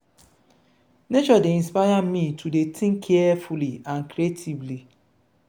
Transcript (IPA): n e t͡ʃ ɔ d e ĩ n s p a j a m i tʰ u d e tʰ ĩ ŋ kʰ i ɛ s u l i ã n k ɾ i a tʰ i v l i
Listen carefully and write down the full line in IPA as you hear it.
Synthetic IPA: n e t͡ʃ ɔ d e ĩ n s p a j a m i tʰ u d e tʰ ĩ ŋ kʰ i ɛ f u l i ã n k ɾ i e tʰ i v l i